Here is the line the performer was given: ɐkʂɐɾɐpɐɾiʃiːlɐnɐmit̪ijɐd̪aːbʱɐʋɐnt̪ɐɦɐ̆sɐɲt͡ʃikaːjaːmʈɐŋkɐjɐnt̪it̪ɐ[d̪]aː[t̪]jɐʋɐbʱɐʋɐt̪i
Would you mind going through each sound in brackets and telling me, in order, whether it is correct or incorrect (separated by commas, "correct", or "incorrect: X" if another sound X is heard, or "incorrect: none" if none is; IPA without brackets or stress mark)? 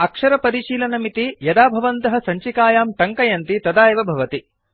correct, incorrect: none